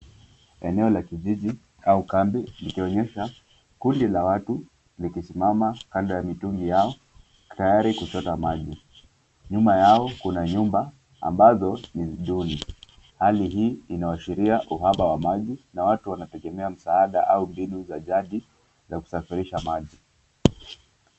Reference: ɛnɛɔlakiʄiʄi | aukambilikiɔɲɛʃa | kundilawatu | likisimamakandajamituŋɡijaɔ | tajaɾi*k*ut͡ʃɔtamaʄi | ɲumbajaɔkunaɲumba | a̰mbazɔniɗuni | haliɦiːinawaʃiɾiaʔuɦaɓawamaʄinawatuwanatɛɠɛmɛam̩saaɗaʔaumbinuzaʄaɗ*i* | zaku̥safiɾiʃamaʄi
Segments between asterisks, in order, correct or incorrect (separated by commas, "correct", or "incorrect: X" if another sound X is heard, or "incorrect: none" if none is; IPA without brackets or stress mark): correct, correct